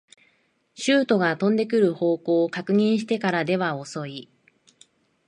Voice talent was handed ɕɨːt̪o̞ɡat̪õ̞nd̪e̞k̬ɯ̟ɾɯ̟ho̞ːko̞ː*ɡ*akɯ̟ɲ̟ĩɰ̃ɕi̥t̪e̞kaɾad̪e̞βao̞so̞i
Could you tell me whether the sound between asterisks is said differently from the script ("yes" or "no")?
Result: yes